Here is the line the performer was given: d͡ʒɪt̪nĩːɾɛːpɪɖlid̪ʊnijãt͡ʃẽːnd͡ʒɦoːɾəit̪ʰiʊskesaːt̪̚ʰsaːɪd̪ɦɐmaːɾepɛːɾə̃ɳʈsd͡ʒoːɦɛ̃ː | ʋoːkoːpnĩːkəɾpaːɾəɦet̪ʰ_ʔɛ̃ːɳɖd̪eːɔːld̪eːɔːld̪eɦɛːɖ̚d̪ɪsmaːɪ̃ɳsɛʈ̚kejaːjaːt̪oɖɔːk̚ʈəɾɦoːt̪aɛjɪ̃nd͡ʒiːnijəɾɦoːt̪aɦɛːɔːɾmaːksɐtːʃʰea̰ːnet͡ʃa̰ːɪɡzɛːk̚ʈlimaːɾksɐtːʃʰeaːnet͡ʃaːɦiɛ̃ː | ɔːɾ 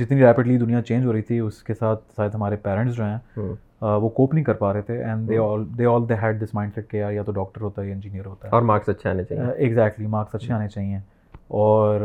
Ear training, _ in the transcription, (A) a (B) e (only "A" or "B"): B